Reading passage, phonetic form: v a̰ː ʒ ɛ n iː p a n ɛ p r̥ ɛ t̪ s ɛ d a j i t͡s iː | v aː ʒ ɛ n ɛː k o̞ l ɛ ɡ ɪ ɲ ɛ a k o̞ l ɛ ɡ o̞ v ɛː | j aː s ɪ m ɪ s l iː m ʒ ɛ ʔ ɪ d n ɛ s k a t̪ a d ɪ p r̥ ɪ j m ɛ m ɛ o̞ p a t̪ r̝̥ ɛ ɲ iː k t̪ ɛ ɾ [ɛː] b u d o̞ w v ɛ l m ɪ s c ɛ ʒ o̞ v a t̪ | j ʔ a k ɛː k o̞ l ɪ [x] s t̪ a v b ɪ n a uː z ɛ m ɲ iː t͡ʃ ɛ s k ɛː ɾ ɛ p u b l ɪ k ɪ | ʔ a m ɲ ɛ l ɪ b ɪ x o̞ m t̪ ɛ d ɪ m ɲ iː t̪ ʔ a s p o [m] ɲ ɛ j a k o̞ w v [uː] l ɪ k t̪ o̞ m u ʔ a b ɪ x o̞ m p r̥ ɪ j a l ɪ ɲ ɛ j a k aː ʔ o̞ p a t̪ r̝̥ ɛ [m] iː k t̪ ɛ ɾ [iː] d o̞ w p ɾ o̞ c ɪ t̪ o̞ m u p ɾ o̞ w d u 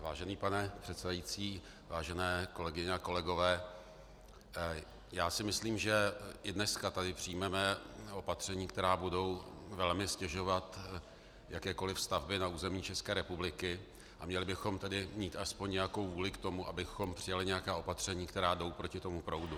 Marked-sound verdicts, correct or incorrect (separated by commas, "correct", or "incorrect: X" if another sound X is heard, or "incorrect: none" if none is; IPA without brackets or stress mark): incorrect: aː, incorrect: f, incorrect: ɲ, correct, incorrect: ɲ, incorrect: aː